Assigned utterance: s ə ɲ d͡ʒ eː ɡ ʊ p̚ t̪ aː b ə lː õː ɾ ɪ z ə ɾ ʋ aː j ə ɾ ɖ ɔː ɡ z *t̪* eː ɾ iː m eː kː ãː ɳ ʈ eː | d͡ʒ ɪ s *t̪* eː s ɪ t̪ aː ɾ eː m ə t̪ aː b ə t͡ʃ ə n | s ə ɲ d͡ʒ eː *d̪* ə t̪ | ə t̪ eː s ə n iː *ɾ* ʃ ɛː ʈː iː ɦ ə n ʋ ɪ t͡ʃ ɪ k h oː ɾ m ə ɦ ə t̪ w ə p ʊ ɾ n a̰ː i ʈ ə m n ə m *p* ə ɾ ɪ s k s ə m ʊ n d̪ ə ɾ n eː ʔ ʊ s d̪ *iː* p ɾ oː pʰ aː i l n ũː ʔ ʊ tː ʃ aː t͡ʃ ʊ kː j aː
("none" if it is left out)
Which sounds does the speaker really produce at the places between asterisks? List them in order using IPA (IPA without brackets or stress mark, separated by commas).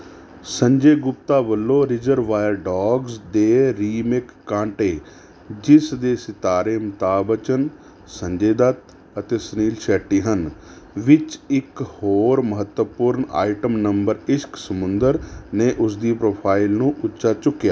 d̪, d̪, d̪, l, b, iː